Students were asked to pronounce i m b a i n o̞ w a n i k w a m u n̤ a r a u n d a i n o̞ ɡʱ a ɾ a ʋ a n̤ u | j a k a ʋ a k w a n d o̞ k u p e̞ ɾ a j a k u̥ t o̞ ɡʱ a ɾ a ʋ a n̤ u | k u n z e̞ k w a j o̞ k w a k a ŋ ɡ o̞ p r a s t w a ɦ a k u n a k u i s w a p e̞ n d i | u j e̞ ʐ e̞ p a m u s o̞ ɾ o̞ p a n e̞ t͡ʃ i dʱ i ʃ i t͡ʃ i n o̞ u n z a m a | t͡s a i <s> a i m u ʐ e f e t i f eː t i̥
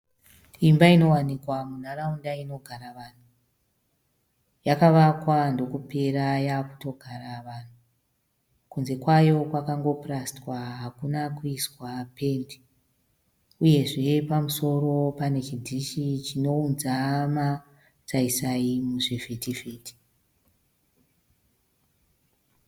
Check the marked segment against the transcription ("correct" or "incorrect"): correct